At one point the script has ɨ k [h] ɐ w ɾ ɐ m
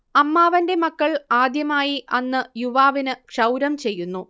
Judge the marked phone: incorrect: ʂ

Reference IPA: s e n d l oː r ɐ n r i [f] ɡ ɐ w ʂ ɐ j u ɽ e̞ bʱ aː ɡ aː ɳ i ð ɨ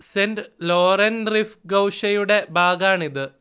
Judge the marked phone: correct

